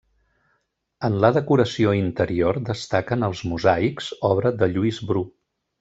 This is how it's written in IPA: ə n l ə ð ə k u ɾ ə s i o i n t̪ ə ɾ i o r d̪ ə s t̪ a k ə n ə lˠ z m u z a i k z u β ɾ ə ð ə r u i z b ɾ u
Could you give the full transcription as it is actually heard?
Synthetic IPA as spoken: ə n l ə ð ə k u ɾ ə s i o i n t̪ ə ɾ i o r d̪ ə s t̪ a k ə n ə lˠ z m u z a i k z ɔ β ɾ ə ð ə ʎ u i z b ɾ u